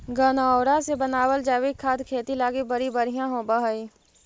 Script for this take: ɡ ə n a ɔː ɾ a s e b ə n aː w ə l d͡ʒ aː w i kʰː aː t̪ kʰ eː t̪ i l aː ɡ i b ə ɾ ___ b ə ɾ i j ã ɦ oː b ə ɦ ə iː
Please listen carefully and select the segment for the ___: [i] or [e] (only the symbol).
i